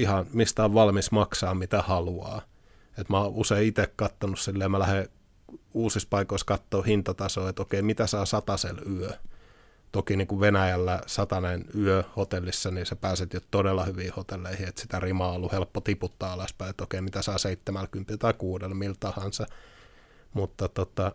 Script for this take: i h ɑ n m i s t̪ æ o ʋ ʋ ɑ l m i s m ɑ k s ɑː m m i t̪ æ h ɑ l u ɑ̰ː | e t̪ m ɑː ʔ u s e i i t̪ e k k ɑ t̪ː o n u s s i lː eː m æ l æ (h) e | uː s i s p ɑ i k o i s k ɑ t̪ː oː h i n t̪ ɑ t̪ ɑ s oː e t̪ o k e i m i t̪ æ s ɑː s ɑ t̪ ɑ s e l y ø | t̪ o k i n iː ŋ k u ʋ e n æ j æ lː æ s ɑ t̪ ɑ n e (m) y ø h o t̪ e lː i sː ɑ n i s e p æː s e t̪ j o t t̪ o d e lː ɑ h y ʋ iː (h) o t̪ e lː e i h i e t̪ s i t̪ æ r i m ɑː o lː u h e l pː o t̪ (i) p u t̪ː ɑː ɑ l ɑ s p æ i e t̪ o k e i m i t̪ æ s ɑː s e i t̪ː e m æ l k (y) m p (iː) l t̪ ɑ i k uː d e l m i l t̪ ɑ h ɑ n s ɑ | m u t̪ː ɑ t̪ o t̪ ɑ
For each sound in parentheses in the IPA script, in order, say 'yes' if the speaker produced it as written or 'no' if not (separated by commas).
yes, no, yes, yes, yes, no